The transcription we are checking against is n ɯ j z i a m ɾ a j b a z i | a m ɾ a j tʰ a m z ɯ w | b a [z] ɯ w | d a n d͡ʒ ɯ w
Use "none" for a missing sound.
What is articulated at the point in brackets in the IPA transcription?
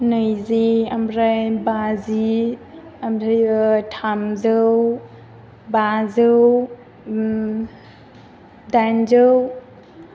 z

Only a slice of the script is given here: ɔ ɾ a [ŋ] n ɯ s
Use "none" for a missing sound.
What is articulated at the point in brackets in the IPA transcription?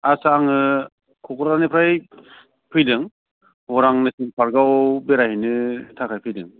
ŋ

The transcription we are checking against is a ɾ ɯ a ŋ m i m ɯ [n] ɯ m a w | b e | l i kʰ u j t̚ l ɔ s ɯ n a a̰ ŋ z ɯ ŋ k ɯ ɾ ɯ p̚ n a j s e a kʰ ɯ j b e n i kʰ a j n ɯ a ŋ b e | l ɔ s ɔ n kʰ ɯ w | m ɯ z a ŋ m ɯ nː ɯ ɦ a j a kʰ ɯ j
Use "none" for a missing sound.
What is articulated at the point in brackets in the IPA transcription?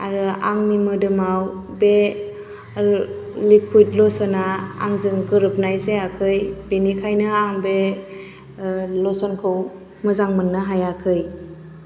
d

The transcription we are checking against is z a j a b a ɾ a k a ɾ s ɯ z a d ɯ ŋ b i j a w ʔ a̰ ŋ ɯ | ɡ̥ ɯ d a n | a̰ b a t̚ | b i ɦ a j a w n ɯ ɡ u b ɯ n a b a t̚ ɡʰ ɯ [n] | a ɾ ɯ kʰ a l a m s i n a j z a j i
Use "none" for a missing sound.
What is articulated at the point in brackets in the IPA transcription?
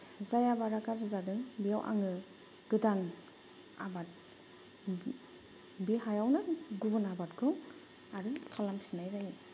ŋ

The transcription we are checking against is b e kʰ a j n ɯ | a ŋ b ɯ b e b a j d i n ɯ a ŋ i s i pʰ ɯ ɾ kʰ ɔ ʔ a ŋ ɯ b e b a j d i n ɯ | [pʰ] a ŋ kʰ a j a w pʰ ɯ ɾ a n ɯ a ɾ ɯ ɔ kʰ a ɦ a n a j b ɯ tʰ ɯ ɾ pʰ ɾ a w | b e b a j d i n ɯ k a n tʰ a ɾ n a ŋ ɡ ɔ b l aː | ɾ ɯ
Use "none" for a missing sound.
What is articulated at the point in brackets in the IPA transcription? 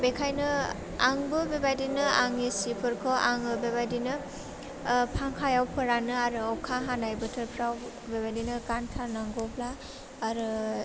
pʰ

